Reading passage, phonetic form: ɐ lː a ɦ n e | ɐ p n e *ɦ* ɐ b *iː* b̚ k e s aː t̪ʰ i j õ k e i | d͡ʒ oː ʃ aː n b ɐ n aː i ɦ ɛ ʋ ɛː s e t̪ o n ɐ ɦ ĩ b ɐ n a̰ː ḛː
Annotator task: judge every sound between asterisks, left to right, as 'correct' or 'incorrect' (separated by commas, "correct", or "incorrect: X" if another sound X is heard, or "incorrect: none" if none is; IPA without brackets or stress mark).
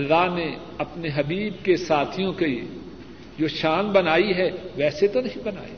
correct, correct